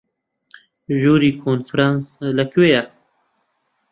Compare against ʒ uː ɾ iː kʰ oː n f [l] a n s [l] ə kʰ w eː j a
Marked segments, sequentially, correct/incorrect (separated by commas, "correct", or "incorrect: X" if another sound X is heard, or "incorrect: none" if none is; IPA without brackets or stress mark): incorrect: ɾ, correct